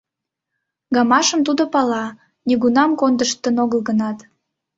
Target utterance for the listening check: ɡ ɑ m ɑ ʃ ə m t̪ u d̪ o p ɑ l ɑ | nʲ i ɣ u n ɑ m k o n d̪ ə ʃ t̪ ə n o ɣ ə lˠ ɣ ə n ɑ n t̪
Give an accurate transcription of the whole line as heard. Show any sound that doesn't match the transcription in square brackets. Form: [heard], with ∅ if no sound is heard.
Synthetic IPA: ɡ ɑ m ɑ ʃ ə m t̪ u d̪ o p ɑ l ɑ | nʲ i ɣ u n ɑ m k o n d̪ ə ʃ t̪ ə n o ɣ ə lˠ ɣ ə n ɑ [∅] t̪